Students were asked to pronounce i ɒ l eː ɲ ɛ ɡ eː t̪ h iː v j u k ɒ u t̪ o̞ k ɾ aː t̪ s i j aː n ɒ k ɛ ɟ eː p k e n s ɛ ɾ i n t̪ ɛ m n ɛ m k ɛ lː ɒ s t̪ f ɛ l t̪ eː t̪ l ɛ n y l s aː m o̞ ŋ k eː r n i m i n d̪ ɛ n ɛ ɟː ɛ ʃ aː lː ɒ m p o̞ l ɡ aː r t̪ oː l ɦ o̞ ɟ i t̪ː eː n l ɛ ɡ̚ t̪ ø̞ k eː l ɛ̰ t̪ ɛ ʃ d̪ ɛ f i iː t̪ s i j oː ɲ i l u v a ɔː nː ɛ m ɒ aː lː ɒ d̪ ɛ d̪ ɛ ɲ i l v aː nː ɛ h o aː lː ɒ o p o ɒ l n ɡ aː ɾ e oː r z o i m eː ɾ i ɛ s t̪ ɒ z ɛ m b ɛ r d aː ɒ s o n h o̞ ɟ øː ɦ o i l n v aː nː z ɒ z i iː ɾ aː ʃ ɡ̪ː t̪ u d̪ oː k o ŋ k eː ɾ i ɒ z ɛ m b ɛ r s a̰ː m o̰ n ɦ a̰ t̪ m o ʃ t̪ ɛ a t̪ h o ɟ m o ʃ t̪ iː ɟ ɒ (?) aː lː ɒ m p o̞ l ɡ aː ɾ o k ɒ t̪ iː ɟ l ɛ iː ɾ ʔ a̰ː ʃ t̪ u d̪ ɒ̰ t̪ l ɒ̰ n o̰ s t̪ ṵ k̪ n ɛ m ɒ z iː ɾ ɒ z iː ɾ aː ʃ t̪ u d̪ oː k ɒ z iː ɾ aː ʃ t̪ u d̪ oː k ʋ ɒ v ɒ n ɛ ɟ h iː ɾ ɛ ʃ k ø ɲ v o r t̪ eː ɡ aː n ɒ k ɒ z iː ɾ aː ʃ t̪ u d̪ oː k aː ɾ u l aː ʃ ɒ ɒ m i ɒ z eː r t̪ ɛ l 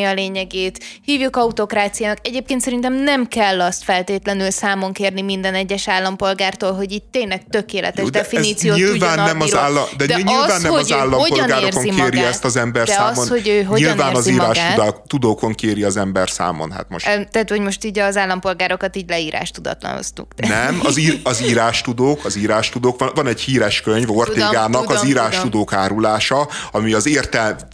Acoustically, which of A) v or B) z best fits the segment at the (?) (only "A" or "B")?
B